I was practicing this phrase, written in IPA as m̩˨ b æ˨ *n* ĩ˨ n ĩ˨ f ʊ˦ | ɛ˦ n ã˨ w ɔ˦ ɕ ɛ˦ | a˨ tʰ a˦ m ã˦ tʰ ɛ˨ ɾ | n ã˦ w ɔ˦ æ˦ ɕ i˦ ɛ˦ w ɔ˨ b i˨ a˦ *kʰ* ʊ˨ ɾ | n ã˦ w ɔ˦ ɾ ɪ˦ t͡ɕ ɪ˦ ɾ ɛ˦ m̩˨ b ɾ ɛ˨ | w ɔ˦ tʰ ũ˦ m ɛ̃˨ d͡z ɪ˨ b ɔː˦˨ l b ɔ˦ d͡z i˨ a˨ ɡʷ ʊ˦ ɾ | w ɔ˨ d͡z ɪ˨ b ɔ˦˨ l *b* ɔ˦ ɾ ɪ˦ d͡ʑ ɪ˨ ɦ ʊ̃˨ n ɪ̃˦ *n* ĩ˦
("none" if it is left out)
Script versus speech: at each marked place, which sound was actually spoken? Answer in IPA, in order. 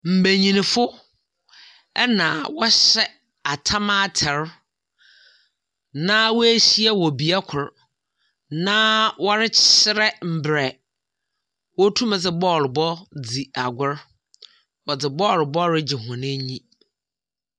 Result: ɲ, kʰ, b, ɲ

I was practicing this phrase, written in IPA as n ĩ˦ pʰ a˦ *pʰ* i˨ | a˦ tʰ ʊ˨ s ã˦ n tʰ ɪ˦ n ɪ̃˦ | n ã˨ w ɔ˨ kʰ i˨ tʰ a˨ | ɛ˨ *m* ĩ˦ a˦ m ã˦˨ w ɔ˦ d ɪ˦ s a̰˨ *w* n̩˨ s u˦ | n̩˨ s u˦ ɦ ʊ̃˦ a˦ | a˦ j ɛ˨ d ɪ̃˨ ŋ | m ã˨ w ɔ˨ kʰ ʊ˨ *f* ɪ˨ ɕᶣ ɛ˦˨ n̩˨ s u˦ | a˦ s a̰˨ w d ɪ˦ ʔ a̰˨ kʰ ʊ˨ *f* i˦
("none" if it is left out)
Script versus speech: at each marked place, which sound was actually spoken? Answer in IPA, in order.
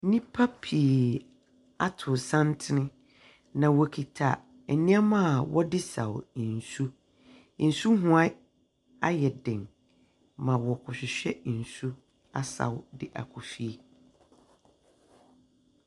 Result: pʰ, n, w, ɕ, f

